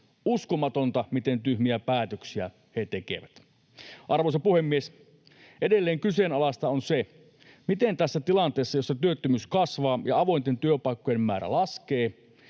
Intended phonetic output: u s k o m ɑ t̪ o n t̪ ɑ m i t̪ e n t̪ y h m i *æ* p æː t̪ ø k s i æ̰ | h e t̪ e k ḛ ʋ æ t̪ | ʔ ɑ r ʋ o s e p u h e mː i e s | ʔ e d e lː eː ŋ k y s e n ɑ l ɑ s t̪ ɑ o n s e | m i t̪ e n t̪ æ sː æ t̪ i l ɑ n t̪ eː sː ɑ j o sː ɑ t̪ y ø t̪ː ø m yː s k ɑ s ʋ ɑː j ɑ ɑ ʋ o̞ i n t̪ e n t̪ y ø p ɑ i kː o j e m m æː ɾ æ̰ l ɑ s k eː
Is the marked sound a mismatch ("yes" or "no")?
no